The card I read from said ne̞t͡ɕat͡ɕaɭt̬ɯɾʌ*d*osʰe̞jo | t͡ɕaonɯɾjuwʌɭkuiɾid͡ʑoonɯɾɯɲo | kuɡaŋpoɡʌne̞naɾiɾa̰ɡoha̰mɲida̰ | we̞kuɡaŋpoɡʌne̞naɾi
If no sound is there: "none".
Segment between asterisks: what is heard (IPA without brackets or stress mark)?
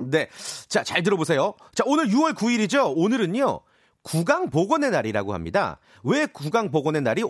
b